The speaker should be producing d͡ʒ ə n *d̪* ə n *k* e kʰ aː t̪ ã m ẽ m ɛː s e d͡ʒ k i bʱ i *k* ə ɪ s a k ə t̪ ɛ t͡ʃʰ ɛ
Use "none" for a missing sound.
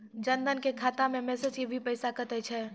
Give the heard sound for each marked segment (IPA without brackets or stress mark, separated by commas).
d̪, k, p